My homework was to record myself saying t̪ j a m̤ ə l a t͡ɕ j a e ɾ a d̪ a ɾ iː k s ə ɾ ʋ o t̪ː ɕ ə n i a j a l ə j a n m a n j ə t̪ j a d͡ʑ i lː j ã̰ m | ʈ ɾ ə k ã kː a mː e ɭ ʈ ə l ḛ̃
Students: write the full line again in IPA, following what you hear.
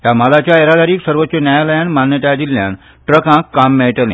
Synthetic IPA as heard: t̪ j a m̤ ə l a t͡ɕ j a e ɾ a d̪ a ɾ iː k s ə ɾ ʋ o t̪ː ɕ ə n j a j a l ə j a n m a n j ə t̪ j a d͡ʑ i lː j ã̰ n | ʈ ɾ ə k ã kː a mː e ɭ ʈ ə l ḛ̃